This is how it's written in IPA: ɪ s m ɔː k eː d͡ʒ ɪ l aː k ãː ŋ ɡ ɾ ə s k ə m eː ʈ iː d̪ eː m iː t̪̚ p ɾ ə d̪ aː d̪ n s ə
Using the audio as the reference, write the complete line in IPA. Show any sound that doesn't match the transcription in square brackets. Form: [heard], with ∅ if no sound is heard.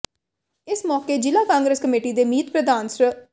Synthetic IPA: ɪ s m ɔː k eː d͡ʒ ɪ l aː k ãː ŋ ɡ ɾ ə s k ə m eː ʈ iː d̪ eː m iː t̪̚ p ɾ ə d̪ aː [∅] n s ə

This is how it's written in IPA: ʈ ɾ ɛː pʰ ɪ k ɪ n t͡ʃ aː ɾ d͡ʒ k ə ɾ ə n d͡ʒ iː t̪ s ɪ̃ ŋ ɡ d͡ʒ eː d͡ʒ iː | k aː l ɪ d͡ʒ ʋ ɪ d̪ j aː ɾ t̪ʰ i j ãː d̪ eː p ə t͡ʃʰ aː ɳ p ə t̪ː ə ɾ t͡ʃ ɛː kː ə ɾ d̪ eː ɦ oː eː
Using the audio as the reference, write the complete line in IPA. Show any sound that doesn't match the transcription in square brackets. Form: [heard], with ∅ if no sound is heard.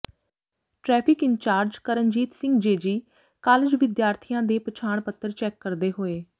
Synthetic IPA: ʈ ɾ ɛː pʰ ɪ k ɪ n t͡ʃ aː ɾ d͡ʒ k ə ɾ ə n d͡ʒ iː t̪ s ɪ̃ ŋ ɡ d͡ʒ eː d͡ʒ iː | k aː l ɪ d͡ʒ ʋ ɪ d̪ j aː ɾ t̪ʰ i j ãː d̪ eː p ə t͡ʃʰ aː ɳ p ə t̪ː ə ɾ t͡ʃ ɛː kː ə ɾ d̪ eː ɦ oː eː

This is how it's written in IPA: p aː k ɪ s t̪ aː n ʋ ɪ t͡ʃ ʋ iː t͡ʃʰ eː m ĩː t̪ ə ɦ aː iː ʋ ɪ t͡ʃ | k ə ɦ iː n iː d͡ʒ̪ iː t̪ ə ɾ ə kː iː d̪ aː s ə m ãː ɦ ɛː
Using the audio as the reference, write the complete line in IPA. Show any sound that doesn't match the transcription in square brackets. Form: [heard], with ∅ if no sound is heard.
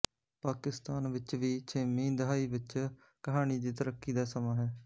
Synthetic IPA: p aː k ɪ s t̪ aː n ʋ ɪ t͡ʃ ʋ iː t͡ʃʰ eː m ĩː [d̪] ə ɦ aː iː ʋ ɪ t͡ʃ | k ə ɦ [aː] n iː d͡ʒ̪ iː t̪ ə ɾ ə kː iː d̪ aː s ə m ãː ɦ ɛː

